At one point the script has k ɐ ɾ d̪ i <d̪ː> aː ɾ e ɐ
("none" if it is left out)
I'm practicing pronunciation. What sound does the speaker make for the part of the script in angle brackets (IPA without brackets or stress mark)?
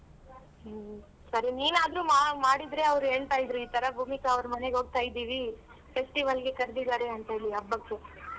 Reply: d̪